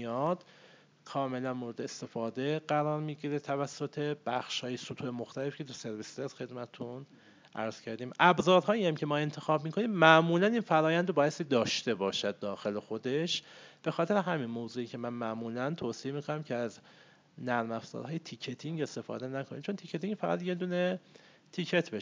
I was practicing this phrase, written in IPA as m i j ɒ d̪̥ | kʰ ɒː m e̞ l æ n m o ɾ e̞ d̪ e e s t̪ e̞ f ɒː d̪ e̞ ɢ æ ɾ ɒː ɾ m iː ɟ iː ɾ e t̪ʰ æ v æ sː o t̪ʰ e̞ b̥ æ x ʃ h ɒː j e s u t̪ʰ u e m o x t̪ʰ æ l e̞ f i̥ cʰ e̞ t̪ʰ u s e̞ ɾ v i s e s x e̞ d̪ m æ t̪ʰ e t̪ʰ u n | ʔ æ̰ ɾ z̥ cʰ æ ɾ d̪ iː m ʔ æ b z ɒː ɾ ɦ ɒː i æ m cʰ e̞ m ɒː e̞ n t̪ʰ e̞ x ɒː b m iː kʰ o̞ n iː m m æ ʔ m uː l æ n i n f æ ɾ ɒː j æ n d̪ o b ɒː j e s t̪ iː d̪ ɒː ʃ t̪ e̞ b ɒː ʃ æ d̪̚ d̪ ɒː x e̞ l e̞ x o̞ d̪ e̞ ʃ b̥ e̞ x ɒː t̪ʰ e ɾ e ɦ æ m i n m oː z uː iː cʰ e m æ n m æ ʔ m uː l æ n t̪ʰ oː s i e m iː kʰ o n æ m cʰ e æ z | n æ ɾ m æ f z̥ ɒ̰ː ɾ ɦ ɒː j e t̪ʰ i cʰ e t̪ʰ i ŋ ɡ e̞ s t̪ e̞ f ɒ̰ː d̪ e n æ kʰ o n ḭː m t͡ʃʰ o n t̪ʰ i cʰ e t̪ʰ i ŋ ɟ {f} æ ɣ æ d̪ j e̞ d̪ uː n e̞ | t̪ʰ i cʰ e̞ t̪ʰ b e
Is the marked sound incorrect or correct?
correct